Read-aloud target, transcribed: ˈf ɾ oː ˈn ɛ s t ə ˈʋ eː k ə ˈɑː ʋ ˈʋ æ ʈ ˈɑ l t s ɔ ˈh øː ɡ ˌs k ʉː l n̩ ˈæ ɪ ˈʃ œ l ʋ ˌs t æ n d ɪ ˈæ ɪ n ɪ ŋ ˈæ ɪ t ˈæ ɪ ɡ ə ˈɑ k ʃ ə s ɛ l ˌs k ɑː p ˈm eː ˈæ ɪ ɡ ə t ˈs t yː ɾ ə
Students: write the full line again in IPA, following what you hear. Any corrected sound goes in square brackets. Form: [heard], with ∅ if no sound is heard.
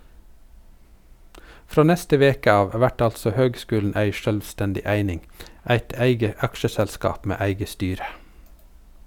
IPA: ˈf ɾ oː ˈn ɛ s t ə ˈʋ eː k ə ˈɑː ʋ ˈʋ æ ʈ ˈɑ l t s ɔ ˈh øː ɡ ˌs k ʉː l n̩ ˈæ ɪ ˈʃ œ l ʋ ˌs t [ɛ] n d ɪ ˈæ ɪ n ɪ ŋ ˈæ ɪ t ˈæ ɪ ɡ ə ˈɑ k ʃ ə s ɛ l ˌs k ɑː p ˈm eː ˈæ ɪ ɡ ə [∅] ˈs t yː ɾ ə